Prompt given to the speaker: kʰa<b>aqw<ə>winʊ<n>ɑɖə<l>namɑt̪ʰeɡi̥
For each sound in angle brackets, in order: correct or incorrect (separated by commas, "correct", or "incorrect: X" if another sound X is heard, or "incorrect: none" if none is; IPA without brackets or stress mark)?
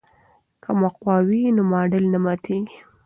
incorrect: m, incorrect: ɑ, incorrect: m, correct